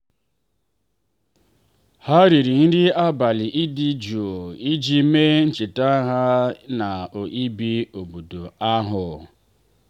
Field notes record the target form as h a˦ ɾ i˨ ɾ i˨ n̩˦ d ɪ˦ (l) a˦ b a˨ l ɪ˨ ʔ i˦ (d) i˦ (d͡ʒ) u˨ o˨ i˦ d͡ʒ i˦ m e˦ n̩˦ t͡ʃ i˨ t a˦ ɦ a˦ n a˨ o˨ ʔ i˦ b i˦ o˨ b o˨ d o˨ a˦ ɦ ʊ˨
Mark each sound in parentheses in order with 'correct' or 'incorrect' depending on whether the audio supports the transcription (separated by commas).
incorrect, correct, correct